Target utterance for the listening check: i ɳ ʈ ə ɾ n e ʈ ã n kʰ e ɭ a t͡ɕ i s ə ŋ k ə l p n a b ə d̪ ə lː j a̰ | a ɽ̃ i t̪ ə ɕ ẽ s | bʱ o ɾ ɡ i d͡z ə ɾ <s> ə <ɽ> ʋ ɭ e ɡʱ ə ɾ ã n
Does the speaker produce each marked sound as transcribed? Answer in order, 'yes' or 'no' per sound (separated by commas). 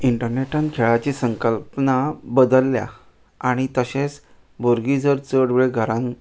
no, yes